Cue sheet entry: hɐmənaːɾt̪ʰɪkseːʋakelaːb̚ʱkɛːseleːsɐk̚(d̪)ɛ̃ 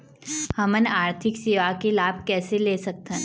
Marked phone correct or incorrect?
incorrect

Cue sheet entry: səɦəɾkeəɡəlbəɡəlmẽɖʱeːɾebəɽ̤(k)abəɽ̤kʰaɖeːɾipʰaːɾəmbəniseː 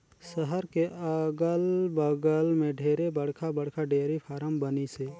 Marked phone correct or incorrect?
incorrect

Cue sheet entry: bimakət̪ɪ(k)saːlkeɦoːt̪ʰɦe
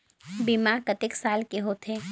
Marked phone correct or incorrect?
correct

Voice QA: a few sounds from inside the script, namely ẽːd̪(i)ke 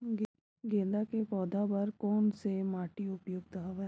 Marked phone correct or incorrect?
incorrect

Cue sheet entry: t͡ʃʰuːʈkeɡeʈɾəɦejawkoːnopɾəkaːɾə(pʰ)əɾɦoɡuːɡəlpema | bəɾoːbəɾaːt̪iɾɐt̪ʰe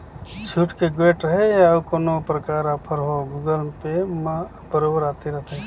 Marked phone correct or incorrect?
correct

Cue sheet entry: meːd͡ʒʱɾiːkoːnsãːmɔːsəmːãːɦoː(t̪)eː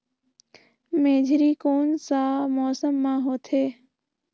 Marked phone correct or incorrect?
incorrect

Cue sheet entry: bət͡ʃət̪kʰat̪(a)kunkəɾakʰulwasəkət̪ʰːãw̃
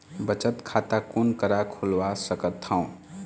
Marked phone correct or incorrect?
correct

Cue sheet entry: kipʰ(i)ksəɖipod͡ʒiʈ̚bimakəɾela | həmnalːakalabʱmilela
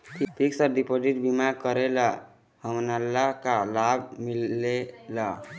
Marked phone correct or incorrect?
correct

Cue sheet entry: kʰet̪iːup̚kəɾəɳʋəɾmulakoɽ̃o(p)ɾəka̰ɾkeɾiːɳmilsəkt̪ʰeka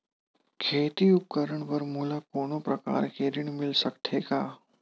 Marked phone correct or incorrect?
correct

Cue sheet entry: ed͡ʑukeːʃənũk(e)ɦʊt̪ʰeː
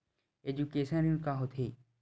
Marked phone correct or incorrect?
incorrect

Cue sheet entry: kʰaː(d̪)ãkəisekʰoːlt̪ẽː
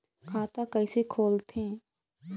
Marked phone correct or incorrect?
incorrect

